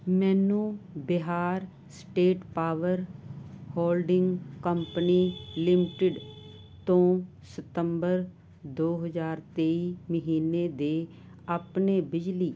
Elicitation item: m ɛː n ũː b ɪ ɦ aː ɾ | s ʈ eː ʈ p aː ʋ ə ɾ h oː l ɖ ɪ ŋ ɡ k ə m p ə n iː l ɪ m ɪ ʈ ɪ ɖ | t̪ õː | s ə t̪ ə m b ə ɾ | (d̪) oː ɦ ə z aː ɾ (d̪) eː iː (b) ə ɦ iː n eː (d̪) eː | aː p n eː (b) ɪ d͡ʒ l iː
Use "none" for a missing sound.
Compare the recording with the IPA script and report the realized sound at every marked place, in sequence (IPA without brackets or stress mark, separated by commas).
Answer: d̪, t̪, m, d̪, b